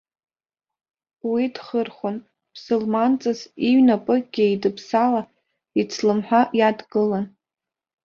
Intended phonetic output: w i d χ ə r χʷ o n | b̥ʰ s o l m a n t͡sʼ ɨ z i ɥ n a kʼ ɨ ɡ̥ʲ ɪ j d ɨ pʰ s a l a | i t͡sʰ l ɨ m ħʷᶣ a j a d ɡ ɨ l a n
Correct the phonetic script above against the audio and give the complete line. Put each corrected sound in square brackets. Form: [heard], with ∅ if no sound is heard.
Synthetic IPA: w i d χ ə r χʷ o n | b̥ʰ s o l m a n t͡sʼ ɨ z i ɥ n a [pʼ] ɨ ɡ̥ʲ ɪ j d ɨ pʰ s a l a | i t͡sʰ l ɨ m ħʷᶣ a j a d ɡ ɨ l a n